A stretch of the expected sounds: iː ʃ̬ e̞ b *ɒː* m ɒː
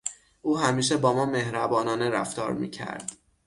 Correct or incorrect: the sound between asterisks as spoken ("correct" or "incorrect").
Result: correct